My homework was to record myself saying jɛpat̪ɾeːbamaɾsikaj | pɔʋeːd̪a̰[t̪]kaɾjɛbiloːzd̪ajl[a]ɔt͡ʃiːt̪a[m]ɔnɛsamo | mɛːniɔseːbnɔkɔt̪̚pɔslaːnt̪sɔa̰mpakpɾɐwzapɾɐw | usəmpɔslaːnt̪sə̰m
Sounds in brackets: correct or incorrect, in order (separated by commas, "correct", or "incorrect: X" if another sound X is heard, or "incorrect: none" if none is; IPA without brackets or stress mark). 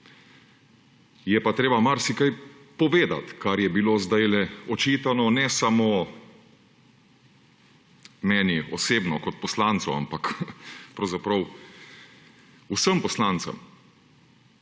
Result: correct, incorrect: ɛ, incorrect: n